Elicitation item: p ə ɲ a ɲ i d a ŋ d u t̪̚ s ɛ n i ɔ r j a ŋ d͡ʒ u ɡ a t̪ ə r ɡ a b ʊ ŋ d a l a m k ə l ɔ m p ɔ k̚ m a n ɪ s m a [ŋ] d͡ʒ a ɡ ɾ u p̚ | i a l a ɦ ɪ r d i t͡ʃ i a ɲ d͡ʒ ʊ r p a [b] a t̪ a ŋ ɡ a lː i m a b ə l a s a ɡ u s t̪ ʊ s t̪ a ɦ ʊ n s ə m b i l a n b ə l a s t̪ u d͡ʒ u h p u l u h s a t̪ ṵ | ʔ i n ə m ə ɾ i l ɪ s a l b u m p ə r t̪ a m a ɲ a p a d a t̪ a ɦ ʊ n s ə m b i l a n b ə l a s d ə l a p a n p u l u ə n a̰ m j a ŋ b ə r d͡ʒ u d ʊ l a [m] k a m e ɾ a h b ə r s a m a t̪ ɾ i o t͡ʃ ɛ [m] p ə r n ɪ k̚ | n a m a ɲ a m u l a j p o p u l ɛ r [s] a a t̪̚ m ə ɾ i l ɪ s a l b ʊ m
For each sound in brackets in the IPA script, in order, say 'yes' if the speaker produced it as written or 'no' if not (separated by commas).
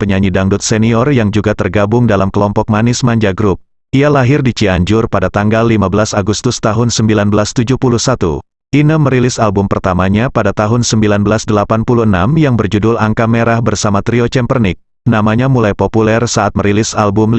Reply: no, no, no, yes, yes